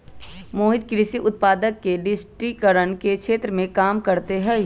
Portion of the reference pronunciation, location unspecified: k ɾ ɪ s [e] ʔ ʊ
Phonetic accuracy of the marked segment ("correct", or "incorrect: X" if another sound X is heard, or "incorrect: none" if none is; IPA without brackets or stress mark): incorrect: i